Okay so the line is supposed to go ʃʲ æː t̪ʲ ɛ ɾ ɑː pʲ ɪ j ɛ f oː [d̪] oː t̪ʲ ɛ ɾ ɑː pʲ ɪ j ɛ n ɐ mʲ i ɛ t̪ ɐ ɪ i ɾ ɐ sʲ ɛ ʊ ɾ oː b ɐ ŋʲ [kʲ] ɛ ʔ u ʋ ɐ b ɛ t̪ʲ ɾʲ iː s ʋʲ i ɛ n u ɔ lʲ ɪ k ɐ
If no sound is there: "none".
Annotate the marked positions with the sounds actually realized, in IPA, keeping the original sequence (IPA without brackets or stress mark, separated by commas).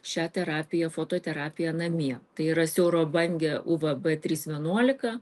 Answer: t̪, ɡʲ